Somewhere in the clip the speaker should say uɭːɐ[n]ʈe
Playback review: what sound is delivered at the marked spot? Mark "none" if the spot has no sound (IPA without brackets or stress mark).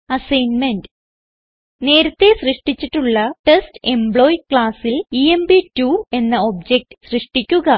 none